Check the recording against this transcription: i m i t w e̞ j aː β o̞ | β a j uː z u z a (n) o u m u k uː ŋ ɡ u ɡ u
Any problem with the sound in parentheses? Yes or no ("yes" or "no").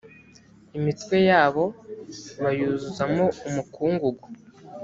yes